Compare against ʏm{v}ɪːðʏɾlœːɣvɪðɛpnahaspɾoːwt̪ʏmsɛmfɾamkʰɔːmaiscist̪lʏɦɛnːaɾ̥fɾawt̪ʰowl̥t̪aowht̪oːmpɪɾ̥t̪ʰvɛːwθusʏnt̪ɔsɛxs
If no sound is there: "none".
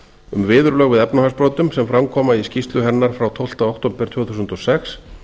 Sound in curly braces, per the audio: v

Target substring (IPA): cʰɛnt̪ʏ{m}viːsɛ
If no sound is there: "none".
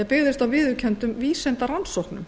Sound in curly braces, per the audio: m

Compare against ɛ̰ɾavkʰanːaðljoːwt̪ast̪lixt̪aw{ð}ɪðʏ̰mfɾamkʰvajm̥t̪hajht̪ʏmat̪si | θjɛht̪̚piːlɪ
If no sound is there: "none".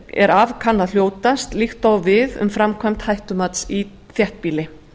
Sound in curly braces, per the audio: v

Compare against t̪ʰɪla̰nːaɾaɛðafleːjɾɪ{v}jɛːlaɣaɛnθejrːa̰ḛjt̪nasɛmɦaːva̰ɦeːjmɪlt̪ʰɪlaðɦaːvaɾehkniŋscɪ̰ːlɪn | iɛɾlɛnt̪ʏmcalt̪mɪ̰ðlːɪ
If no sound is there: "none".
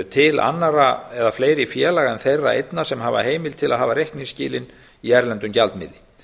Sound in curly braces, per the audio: f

